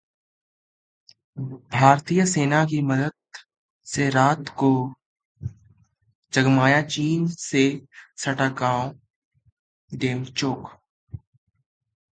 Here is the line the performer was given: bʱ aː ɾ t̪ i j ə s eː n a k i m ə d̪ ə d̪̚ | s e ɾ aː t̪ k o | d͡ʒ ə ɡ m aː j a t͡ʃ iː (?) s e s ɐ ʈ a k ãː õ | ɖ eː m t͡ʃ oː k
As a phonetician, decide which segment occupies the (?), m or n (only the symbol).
n